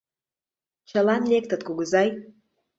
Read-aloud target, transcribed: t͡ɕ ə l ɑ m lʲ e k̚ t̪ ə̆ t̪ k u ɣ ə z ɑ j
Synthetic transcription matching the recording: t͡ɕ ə l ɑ n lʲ e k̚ t̪ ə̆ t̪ k u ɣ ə z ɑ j